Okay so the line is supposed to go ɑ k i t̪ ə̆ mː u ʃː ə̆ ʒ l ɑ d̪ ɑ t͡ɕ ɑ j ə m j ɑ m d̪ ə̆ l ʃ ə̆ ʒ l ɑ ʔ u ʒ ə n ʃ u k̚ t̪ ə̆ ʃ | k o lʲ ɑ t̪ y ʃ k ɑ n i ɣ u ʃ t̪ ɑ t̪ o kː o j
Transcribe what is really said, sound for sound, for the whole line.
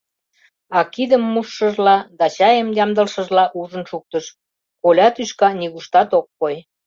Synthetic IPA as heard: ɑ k i d̪ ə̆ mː u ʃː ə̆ ʒ l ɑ d̪ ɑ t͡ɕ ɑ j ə m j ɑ m d̪ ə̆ l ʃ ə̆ ʒ l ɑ ʔ u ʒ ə n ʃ u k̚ t̪ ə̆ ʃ | k o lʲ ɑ t̪ y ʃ k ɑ n i ɣ u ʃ t̪ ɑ t̪ o kː o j